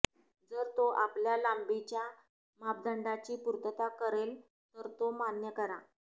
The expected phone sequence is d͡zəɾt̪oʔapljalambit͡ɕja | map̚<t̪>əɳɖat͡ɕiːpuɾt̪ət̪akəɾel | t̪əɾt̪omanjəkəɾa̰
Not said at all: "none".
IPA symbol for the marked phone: d̪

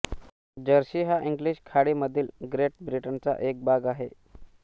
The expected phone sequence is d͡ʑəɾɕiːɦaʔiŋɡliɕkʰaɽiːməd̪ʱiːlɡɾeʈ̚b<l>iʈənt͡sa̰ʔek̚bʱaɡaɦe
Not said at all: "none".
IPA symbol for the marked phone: ɾ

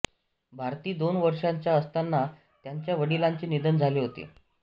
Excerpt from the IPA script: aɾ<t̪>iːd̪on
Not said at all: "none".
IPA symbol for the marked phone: t̪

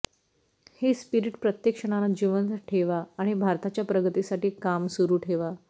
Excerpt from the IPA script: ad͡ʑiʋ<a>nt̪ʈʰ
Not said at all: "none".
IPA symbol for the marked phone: ə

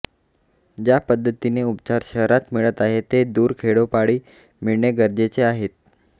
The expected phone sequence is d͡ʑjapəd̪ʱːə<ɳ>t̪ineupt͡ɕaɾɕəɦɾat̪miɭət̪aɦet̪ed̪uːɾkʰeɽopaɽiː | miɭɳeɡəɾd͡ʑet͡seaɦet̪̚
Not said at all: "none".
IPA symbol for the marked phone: none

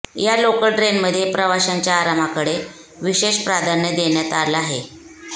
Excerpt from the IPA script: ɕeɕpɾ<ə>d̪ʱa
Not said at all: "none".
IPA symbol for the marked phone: a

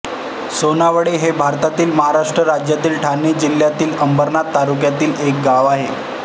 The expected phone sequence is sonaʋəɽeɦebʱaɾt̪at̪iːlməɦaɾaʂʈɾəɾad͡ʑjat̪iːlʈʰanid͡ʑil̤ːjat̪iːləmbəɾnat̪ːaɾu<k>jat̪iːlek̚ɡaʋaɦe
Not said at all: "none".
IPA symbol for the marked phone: k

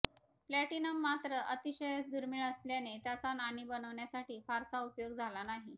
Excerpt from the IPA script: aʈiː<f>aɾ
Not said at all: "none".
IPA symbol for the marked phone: f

